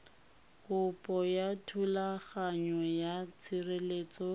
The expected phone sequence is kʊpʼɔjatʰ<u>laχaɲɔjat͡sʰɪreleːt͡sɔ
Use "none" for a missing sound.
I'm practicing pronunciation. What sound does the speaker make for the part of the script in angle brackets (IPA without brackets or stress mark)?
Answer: u